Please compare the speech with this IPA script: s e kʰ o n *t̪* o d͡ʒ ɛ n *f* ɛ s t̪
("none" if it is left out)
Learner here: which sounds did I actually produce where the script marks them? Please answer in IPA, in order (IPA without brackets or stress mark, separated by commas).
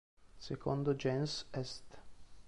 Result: d̪, s